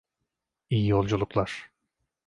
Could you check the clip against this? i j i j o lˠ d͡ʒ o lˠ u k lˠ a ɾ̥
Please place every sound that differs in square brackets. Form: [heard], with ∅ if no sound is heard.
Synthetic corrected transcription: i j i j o lˠ d͡ʒ [u] lˠ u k lˠ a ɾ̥

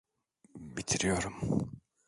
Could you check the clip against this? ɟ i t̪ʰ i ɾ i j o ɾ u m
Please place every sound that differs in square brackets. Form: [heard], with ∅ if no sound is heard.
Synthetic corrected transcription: [b] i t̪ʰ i ɾ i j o ɾ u m

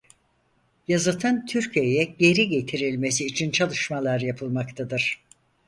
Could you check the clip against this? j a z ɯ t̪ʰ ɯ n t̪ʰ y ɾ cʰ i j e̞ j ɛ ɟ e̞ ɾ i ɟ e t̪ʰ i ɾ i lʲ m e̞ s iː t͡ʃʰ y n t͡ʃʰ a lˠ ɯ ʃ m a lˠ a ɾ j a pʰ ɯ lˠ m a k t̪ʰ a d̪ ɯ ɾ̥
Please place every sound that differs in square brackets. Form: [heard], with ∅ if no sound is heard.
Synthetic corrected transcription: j a z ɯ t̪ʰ ɯ n t̪ʰ y ɾ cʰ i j e̞ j ɛ ɟ e̞ ɾ i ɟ e t̪ʰ i ɾ i lʲ m e̞ s iː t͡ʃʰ [i] n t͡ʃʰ a lˠ ɯ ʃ m a lˠ a ɾ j a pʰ ɯ lˠ m a k t̪ʰ a d̪ ɯ ɾ̥

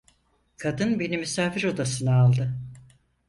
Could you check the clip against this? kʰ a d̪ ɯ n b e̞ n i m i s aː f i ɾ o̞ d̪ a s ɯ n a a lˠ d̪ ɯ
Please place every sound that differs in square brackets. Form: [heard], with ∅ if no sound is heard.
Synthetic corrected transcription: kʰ a d̪ ɯ n b e̞ n i m [y] s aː f i ɾ o̞ d̪ a s ɯ n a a lˠ d̪ ɯ

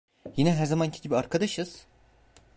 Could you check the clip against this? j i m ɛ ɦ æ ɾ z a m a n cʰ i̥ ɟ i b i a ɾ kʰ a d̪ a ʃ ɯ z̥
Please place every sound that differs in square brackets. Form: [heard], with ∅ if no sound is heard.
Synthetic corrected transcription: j i [n] ɛ ɦ æ ɾ z a m a n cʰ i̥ ɟ i b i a ɾ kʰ a d̪ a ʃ ɯ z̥

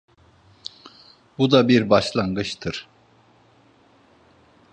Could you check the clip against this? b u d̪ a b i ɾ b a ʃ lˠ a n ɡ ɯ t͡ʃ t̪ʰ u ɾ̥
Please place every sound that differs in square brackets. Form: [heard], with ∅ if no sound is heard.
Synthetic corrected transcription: b u d̪ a b i ɾ b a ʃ lˠ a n ɡ ɯ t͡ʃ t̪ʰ [ɯ] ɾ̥

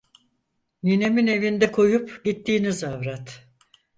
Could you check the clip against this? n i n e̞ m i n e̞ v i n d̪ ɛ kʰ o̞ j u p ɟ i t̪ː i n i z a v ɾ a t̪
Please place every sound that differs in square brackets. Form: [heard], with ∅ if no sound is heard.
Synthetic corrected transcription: n i n e̞ m i n e̞ v i n d̪ ɛ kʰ o̞ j u p ɟ i t̪ː [iː] n i z a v ɾ a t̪

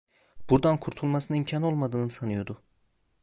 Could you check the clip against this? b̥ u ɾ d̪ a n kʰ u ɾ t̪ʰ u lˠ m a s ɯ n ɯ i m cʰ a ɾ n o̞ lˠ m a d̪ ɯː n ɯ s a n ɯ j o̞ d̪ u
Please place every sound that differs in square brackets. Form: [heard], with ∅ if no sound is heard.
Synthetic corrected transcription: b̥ u ɾ d̪ a n kʰ u ɾ t̪ʰ u lˠ m a s ɯ n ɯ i m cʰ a [∅] n o̞ lˠ m a d̪ ɯː n ɯ s a n ɯ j o̞ d̪ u

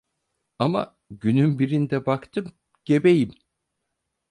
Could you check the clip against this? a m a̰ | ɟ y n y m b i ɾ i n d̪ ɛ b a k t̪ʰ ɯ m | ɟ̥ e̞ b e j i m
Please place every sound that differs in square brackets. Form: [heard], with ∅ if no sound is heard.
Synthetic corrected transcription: a m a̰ | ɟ y n y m b i ɾ i n d̪ ɛ b a k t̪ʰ ɯ m | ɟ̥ e̞ b e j i m

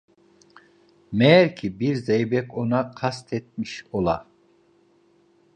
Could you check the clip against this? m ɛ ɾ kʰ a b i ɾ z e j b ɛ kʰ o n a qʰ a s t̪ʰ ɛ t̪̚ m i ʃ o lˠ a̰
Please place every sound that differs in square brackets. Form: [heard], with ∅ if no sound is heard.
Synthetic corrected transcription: m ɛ ɾ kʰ [i] b i ɾ z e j b ɛ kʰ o n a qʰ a s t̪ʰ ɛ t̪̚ m i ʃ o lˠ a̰

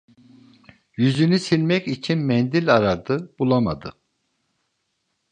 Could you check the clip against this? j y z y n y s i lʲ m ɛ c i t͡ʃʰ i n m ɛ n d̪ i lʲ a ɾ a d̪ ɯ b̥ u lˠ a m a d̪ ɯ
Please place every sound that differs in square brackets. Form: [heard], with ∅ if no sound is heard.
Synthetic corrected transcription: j y z y n y s i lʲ m ɛ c i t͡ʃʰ i n m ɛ n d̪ i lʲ a ɾ a d̪ ɯ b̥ u lˠ a m a d̪ ɯ

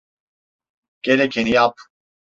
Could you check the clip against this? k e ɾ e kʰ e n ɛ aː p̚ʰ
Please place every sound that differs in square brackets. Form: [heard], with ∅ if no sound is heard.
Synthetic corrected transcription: k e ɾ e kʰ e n [i] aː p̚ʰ

